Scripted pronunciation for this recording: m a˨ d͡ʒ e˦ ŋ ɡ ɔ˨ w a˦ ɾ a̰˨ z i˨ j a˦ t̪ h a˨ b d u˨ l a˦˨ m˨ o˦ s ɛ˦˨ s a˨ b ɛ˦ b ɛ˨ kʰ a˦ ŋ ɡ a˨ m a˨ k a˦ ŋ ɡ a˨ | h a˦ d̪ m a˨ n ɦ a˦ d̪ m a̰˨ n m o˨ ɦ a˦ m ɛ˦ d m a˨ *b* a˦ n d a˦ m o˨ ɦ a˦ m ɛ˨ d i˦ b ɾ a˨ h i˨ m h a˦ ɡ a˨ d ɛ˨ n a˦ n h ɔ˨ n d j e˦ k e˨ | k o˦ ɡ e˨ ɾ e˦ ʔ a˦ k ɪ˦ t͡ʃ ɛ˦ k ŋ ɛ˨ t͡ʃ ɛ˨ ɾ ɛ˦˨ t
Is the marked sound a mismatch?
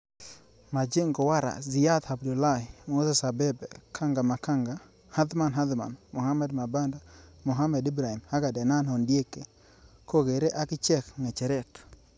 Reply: no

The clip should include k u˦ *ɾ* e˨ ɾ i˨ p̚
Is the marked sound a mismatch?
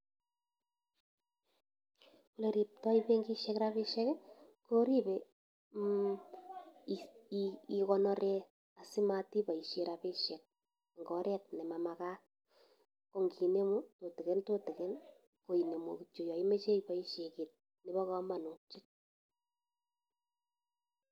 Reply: yes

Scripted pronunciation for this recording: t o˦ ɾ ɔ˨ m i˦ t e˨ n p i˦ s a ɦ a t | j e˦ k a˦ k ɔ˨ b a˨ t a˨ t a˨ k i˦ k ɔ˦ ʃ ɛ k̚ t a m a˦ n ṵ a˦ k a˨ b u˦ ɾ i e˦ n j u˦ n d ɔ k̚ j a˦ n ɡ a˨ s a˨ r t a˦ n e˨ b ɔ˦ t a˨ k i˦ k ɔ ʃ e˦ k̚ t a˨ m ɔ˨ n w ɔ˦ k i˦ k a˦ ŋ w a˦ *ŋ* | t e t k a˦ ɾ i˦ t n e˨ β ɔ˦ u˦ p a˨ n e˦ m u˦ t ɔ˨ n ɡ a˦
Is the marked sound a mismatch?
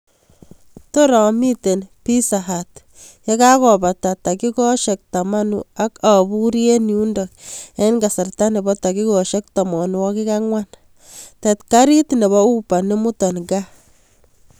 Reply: yes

